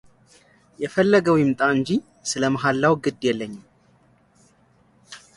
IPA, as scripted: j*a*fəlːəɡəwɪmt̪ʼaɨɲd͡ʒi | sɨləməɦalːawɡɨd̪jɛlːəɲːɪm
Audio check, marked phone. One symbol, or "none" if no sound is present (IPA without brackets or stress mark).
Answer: ɛ